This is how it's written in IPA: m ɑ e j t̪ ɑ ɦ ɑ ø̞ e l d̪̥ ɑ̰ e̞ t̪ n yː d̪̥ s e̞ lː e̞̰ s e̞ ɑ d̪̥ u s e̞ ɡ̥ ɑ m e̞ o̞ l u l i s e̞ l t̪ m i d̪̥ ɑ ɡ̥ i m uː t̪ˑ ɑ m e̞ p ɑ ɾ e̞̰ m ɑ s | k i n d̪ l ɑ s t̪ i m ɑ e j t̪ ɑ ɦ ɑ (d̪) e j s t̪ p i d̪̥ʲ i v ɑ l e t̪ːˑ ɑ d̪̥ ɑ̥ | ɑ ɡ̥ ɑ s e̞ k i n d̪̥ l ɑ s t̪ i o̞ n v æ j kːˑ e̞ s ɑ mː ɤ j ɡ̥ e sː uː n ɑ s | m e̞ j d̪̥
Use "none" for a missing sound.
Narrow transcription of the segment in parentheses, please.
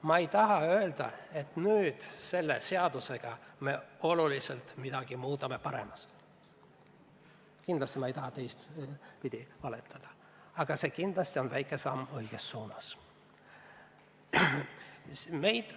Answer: t̪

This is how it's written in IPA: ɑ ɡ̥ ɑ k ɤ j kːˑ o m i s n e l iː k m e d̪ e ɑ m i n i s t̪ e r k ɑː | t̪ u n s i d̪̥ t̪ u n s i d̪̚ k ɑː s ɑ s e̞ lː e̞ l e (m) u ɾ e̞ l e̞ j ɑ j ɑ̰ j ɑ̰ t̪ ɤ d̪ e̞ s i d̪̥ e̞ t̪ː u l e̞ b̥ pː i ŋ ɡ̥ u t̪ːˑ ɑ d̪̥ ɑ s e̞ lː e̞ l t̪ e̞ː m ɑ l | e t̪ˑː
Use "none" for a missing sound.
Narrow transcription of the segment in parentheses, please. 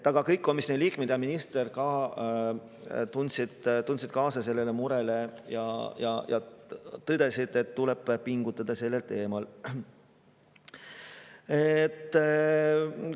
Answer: m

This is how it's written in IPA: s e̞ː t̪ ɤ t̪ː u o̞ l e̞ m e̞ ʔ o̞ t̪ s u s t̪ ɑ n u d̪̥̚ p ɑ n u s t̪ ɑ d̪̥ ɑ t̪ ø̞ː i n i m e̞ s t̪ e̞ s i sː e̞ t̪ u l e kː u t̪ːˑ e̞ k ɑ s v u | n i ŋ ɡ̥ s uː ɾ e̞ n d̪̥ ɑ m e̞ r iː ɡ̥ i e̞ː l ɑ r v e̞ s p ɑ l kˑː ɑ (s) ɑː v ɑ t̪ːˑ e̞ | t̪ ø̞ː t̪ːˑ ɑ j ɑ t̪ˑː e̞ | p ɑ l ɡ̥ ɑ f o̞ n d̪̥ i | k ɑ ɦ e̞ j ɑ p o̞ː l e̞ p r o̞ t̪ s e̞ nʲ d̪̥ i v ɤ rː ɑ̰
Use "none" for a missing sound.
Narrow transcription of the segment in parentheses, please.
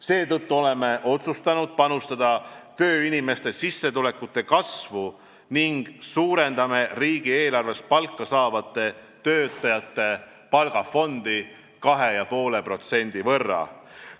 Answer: s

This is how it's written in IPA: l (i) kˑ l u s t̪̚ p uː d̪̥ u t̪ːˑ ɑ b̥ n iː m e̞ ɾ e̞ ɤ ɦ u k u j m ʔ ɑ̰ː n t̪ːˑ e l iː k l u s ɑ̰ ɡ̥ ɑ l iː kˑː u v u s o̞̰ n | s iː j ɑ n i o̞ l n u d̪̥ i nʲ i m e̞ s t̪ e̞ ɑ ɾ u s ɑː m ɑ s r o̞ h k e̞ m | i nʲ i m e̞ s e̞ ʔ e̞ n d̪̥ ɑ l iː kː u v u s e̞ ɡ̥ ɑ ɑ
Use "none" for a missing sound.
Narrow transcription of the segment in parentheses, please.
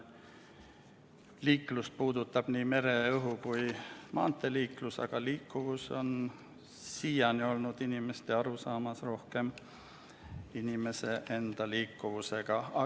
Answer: iː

